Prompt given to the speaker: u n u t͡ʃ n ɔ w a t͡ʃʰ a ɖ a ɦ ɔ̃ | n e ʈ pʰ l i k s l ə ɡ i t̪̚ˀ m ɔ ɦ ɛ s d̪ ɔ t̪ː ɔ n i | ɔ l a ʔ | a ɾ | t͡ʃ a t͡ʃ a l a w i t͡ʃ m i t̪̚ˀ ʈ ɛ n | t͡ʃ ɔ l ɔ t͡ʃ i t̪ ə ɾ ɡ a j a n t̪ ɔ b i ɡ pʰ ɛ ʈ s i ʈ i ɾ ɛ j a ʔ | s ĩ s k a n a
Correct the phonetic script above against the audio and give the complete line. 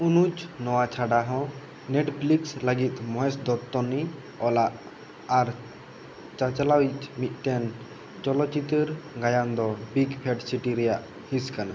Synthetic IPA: u n u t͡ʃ n ɔ w a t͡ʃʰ a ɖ a ɦ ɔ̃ | n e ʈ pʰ l i k s l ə ɡ i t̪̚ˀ m ɔ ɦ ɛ s d̪ ɔ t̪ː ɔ n i | ɔ l a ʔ | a ɾ | t͡ʃ a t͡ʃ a l a w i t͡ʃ m i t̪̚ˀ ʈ ɛ n | t͡ʃ ɔ l ɔ t͡ʃ i t̪ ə ɾ ɡ a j a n d̪ ɔ b i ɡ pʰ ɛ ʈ s i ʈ i ɾ ɛ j a ʔ | h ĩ s k a n a